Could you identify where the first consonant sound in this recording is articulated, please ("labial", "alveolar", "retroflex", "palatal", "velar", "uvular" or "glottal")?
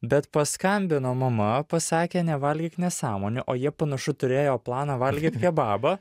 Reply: labial